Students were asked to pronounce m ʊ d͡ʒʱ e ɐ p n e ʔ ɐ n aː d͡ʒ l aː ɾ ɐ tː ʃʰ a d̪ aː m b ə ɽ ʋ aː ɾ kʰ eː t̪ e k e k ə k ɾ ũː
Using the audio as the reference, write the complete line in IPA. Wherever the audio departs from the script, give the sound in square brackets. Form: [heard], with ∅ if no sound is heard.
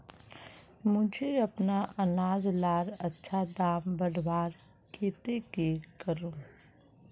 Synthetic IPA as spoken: m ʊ d͡ʒʱ e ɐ p n [a] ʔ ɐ n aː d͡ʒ l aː ɾ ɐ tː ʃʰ a d̪ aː m b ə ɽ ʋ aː ɾ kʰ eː t̪ e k e k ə [∅] ɾ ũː